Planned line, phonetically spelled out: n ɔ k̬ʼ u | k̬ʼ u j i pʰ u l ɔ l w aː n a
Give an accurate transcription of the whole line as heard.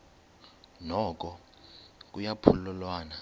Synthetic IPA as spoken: n ɔ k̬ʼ ɔ | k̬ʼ u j a pʰ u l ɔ l w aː n a